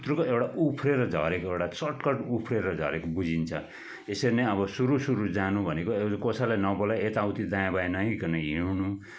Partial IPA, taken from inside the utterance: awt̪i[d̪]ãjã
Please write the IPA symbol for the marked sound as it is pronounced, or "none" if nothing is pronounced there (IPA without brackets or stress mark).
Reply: d̪